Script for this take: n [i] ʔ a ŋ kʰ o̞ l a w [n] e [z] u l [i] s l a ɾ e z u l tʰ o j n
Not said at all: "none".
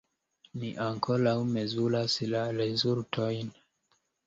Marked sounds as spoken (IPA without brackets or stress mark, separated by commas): i, m, z, a